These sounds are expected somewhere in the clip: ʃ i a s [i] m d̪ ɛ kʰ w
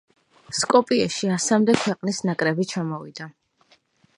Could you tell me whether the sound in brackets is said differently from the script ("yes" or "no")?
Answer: yes